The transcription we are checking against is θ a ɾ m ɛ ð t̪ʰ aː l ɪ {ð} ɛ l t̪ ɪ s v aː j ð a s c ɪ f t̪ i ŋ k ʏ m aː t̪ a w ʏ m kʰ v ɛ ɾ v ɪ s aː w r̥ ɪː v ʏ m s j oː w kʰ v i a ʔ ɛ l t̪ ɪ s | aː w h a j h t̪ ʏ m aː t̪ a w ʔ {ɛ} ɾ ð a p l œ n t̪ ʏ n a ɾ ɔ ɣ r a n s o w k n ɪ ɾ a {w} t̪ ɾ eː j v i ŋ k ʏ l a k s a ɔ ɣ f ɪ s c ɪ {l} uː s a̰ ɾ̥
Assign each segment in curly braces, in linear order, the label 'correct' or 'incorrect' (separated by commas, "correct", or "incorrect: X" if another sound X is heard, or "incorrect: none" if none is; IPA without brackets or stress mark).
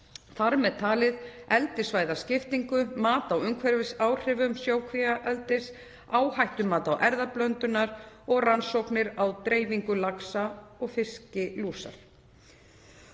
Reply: correct, correct, correct, correct